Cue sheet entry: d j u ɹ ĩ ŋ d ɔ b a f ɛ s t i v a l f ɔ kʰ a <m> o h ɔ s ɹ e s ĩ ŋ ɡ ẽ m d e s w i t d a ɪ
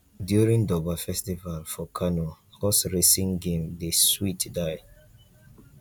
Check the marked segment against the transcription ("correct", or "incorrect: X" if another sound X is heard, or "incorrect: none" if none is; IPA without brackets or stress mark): incorrect: n